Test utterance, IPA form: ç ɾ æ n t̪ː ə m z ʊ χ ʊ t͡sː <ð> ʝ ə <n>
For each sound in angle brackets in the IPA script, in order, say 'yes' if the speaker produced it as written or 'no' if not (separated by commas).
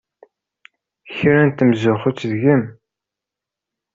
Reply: yes, no